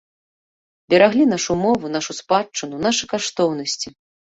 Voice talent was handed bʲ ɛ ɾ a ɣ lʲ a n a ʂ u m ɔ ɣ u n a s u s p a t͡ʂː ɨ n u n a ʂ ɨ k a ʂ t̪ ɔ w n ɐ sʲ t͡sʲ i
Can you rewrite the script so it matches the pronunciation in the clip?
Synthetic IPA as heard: bʲ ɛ ɾ a ɣ lʲ i n a ʂ u m ɔ v u n a ʂ u s p a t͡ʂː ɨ n u n a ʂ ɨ k a ʂ t̪ ɔ w n ɐ sʲ t͡sʲ i